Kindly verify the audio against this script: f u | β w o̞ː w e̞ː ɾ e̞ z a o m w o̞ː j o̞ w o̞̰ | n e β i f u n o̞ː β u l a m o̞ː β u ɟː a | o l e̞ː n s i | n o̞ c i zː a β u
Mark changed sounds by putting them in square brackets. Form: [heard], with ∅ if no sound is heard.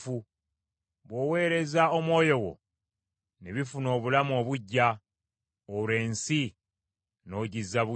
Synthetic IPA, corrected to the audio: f u | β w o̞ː w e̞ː ɾ e̞ z a o m w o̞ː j o̞ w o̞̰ | n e β i f u n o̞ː β u l a m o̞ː β u ɟː a | o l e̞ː n s i | n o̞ [ɟ] i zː a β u

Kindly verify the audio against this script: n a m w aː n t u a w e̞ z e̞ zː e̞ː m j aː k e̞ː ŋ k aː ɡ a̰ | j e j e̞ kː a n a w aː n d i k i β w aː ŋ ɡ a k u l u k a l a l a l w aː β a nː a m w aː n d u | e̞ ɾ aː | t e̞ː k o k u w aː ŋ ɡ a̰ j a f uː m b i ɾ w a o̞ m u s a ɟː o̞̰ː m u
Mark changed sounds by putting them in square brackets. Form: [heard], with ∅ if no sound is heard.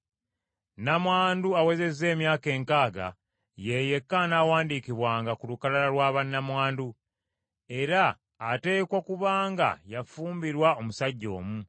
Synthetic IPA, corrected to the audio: n a m w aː n [d] u a w e̞ z e̞ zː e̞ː m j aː k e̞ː ŋ k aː ɡ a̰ | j e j e̞ kː a n a w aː n d i k i β w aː ŋ ɡ a k u l u k a l a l a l w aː β a nː a m w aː n d u | e̞ ɾ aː | t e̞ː k o k u [β] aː ŋ ɡ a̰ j a f uː m b i ɾ w a o̞ m u s a ɟː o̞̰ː m u

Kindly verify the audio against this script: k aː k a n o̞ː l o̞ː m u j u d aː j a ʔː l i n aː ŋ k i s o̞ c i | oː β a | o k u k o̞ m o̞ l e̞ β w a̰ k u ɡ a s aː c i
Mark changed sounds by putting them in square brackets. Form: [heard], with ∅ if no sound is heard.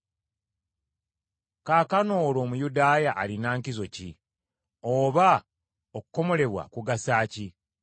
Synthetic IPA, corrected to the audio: k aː k a n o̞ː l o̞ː m u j u d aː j a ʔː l i n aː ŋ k i [z] o̞ c i | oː β a | o k u k o̞ m o̞ l e̞ β w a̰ k u ɡ a s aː c i

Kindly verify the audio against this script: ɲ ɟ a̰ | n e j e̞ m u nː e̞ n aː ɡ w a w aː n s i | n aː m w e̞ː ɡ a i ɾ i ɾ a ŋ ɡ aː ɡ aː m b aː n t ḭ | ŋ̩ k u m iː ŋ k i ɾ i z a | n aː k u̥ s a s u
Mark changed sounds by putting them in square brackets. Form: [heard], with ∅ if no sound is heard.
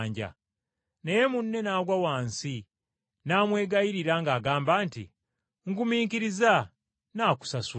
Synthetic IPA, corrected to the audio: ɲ ɟ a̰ | n e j e̞ m u nː e̞ n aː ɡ w a w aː n s i | n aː m w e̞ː ɡ a i ɾ i ɾ a ŋ ɡ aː ɡ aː m b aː n t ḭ | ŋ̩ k u m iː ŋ k i ɾ i z a | n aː k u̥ s a s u

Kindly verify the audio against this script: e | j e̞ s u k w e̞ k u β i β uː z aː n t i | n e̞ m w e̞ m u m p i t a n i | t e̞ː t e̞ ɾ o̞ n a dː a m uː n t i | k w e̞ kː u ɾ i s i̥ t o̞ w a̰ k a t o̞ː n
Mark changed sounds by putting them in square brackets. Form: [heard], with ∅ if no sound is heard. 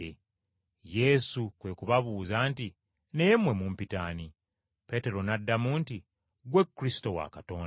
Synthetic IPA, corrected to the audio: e | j e̞ s u k w e̞ k u β [a] β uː z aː n t i | n e̞ m w e̞ m u m p i t a n i | [p] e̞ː t e̞ ɾ o̞ n a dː a m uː n t i | [ɡ] w e̞ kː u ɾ i s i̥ t o̞ w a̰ k a t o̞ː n

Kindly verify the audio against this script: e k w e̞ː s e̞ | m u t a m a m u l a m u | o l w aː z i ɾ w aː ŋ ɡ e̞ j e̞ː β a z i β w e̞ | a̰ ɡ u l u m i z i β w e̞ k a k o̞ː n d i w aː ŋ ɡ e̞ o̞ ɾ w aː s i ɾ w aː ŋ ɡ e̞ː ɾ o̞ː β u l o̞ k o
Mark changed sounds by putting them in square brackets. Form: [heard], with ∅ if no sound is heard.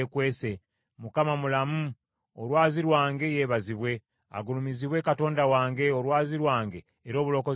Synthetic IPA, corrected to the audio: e k w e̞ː s e̞ | m u [k] a m a m u l a m u | o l w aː z i ɾ w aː ŋ ɡ e̞ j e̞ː β a z i β w e̞ | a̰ ɡ u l u m i z i β w e̞ k a [t] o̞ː n d [a] w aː ŋ ɡ e̞ o̞ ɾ w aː [z] i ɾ w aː ŋ ɡ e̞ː ɾ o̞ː β u l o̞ k o

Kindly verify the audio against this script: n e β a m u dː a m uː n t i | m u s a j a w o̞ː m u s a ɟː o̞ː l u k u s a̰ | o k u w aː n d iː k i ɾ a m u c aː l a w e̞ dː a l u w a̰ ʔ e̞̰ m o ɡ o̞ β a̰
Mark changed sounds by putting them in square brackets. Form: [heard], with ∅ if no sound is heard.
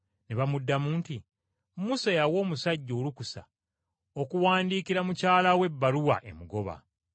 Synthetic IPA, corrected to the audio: n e β a m u dː a m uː n t i | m u s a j a w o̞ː m u s a ɟː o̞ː l u k u s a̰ | o k u w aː n d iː k i ɾ a m u c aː l a w e̞ [bː] a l u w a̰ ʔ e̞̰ m [u] ɡ o̞ β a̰

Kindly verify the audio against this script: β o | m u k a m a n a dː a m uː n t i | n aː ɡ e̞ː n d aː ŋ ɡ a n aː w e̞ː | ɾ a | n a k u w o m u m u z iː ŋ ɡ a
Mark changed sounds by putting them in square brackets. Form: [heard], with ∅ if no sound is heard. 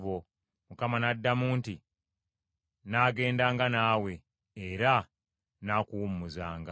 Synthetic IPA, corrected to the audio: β o | m u k a m a n a dː a m uː n t i | n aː ɡ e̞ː n d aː ŋ ɡ a n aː w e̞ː | ɾ a | n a k u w [u] m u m u z [aː] ŋ ɡ a

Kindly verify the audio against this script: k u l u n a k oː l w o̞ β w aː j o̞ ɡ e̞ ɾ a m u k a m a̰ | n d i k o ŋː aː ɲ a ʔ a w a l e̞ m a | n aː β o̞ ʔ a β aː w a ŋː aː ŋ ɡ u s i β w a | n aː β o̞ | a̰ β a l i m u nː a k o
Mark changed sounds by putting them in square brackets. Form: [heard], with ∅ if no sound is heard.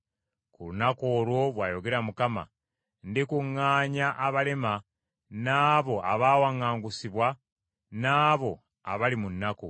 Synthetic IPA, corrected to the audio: k u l u n a k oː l w o̞ β w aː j o̞ ɡ e̞ ɾ a m u k a m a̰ | n d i k [u] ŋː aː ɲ a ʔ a [β] a l e̞ m a | n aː β o̞ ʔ a β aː w a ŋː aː ŋ ɡ u s i β w a | n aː β o̞ | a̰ β a l i m u nː a k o

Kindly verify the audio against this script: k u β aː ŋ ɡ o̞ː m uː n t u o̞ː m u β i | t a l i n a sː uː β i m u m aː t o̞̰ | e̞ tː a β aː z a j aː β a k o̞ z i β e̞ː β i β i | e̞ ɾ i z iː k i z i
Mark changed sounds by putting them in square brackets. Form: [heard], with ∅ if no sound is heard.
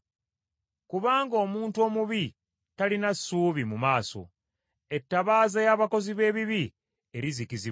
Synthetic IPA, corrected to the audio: k u β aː ŋ ɡ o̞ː m uː n t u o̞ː m u β i | t a l i n a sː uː β i m u m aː [s] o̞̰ | e̞ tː a β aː z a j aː β a k o̞ z i β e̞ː β i β i | e̞ ɾ i z [i] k i z i

